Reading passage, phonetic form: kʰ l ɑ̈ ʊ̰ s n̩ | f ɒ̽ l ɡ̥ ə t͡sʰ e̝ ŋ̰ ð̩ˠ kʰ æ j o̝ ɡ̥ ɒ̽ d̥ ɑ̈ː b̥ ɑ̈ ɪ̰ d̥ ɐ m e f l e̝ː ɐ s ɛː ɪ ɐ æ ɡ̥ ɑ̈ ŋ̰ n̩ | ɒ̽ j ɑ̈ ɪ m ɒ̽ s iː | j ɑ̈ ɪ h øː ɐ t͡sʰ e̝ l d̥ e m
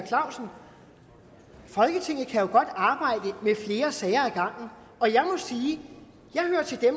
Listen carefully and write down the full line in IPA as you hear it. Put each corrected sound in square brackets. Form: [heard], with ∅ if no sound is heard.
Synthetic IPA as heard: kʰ l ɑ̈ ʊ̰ s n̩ | f ɒ̽ l ɡ̥ ə t͡sʰ e̝ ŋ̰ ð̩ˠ kʰ æ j o̝ ɡ̥ ɒ̽ d̥ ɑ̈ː b̥ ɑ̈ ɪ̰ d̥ [ə] m e f l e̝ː ɐ s ɛː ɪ ɐ æ ɡ̥ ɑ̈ ŋ̰ n̩ | ɒ̽ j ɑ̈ ɪ m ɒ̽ s iː | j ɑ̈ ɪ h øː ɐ t͡sʰ e̝ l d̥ e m